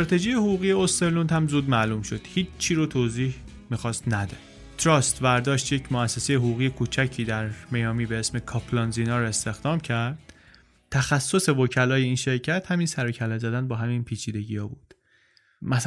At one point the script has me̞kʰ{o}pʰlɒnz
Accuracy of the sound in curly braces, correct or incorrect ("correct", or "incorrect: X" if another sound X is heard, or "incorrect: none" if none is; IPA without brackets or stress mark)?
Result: incorrect: ɒ